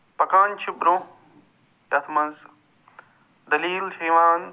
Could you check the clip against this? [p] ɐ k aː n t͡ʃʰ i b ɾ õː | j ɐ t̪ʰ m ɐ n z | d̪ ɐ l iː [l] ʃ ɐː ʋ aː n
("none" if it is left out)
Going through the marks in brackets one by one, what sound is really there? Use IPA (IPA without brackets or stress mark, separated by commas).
p, l